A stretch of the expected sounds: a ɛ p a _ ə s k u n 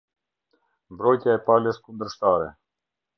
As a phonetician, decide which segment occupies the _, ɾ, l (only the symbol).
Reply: l